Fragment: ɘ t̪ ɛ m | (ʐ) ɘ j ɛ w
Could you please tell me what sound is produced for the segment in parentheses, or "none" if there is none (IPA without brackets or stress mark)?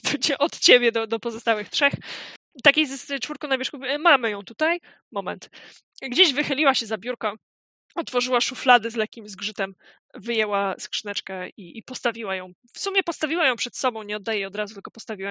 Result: v